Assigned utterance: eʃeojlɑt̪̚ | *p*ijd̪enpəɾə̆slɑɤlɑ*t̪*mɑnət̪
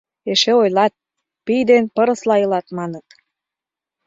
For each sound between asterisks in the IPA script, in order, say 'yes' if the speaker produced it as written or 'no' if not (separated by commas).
yes, yes